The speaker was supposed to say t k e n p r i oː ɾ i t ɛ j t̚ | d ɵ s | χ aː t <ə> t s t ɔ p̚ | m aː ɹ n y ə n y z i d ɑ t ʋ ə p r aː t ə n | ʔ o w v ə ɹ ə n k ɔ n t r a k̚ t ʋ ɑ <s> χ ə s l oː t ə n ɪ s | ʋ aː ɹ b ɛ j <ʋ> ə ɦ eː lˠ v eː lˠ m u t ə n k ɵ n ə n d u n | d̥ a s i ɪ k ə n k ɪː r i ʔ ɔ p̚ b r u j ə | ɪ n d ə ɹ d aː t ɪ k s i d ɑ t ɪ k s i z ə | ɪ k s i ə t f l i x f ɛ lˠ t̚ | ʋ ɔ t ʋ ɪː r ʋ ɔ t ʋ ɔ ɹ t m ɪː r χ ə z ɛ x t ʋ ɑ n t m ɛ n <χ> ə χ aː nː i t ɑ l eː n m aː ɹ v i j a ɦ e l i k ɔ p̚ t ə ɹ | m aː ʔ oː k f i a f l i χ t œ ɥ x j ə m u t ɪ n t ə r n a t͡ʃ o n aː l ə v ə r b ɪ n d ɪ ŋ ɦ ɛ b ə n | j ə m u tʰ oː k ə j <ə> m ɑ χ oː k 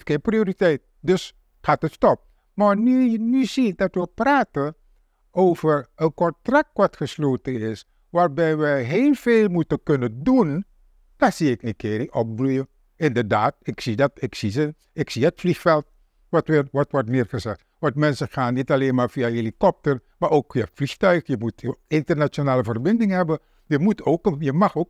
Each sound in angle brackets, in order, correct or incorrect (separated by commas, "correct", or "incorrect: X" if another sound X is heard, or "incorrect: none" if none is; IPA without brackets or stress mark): correct, incorrect: t, correct, incorrect: s, correct